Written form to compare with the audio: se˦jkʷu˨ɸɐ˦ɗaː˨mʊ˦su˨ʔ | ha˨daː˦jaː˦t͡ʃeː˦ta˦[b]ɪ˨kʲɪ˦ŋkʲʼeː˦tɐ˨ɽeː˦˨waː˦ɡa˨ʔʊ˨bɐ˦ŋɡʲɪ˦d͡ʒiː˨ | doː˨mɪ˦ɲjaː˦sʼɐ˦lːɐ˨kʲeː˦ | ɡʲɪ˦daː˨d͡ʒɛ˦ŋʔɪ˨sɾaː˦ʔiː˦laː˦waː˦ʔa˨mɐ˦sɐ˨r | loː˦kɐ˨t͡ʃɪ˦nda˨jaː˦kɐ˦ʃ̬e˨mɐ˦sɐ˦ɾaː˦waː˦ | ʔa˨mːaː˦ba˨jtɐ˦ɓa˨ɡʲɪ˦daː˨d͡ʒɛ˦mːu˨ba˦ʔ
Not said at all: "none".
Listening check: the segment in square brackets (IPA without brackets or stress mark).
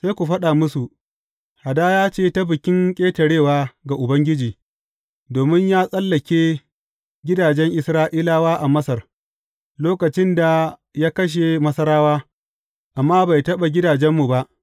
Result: b